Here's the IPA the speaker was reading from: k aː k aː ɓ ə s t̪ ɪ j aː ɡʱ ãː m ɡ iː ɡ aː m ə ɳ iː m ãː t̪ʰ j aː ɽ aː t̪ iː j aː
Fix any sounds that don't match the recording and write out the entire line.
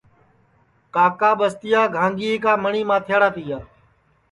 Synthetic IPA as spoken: k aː k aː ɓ ə s t̪ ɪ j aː ɡʱ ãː ŋ ɡ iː k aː m ə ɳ iː m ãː t̪ʰ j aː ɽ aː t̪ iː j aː

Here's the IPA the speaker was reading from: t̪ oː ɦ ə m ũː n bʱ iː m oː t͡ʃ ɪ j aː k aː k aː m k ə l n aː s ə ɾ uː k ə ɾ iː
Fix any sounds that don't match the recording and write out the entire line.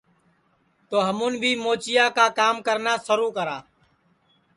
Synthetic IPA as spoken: t̪ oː ɦ ə m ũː n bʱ iː m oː t͡ʃ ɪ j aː k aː k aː m k ə ɾ n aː s ə ɾ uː k ə ɾ aː

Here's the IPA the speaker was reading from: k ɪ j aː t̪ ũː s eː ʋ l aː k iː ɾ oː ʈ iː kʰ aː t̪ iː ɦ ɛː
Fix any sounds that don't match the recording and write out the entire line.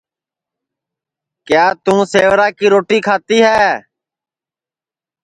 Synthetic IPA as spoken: k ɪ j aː t̪ ũː s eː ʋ ɾ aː k iː ɾ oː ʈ iː kʰ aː t̪ iː ɦ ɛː

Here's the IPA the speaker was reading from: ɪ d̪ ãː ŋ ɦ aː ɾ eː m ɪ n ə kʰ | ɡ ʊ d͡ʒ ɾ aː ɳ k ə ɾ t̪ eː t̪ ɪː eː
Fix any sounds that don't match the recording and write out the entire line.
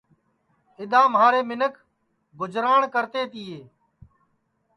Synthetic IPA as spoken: ɪ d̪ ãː m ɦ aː ɾ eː m ɪ n ə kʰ | ɡ ʊ d͡ʒ ɾ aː ɳ k ə ɾ t̪ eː t̪ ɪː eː

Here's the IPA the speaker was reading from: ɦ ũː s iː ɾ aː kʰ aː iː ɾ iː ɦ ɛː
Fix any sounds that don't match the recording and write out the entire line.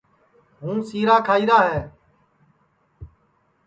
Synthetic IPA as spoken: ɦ ũː s iː ɾ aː kʰ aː iː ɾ aː ɦ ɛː

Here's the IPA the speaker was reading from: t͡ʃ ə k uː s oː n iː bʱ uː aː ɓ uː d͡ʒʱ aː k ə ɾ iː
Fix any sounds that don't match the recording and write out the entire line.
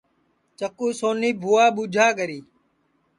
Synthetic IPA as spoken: t͡ʃ ə k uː s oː n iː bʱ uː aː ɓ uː d͡ʒʱ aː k ə ɾ iː

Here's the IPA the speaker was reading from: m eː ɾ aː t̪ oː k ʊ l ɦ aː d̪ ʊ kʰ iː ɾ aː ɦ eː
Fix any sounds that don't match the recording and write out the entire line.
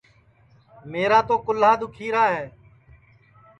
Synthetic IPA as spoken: m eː ɾ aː t̪ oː k ʊ l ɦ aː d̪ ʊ kʰ iː ɾ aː ɦ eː

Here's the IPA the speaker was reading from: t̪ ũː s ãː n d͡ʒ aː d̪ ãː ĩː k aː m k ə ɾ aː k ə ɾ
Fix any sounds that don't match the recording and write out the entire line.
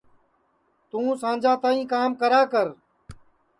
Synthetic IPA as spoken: t̪ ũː s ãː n d͡ʒ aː t̪ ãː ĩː k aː m k ə ɾ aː k ə ɾ

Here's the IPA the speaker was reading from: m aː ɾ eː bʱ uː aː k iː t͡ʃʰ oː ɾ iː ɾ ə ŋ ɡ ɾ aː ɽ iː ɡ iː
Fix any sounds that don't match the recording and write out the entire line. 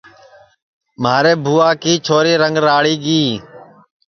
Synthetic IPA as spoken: m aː ɾ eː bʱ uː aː k iː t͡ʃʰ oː ɾ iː ɾ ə ŋ ɡ ɾ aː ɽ iː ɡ iː

